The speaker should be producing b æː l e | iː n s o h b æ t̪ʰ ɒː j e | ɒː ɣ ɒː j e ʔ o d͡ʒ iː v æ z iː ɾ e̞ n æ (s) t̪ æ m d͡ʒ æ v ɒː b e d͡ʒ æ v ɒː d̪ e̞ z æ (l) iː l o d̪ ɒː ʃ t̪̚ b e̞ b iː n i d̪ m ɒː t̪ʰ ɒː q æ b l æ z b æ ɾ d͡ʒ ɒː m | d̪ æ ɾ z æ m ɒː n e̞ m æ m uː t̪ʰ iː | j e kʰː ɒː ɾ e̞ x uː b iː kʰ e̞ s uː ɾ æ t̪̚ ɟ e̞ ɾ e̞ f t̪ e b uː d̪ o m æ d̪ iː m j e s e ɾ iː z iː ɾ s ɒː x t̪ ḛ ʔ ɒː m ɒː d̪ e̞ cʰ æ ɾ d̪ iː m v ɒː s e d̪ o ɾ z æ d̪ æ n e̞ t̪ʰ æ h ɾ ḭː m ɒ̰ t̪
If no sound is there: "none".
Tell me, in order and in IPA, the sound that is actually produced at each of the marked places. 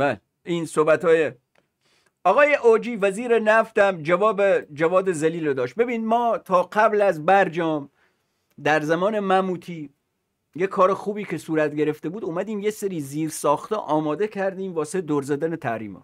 f, l

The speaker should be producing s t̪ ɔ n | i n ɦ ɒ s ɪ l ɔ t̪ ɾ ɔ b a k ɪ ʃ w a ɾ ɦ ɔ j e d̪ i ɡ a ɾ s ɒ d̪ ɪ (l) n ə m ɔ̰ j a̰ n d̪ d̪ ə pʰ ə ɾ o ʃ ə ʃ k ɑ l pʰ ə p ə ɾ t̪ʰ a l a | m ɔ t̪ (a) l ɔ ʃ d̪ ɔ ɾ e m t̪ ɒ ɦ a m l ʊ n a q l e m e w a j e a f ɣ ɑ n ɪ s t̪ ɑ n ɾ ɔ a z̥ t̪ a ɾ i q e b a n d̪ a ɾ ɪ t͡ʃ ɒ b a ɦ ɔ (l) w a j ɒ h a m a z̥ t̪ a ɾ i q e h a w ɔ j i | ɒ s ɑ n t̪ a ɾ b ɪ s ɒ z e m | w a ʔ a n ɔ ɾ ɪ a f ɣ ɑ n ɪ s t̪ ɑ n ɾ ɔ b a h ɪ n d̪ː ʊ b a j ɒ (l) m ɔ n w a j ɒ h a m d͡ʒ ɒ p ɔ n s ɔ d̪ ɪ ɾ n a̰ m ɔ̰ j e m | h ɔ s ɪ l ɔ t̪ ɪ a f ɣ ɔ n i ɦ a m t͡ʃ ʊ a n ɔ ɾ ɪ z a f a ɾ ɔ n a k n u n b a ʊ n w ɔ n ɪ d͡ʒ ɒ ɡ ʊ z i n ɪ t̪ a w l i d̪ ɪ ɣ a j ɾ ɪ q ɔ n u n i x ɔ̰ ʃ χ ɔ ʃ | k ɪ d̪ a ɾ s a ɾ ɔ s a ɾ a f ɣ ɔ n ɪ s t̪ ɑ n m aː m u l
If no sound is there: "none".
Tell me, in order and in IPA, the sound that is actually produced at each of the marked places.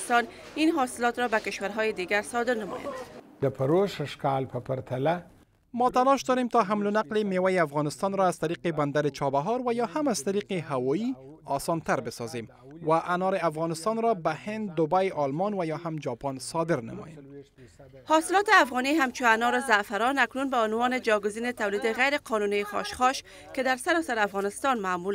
ɾ, a, ɾ, l

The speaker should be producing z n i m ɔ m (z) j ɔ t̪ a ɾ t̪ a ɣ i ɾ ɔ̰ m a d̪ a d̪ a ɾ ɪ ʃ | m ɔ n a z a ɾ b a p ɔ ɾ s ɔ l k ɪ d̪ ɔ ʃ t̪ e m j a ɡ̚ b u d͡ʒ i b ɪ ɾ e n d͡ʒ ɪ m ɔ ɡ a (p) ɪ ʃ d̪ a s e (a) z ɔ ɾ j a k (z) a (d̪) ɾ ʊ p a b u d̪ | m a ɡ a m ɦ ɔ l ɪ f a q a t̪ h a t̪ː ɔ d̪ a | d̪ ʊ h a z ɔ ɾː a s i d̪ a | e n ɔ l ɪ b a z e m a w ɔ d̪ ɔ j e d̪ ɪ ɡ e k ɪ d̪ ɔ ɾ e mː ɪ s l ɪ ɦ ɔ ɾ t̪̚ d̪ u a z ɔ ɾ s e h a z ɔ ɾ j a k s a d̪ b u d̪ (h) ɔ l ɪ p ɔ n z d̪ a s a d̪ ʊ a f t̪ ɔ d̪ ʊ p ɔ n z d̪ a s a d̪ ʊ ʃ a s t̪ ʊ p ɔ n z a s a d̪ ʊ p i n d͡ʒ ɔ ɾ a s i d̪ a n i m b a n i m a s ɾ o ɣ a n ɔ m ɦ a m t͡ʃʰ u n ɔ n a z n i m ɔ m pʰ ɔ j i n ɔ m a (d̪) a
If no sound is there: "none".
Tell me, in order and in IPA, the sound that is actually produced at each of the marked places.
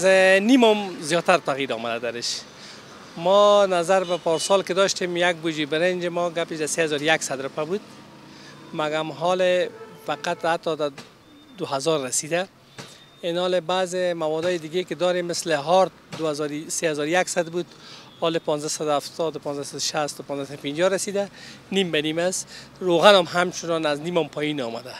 z, p, a, s, d̪, h, d̪

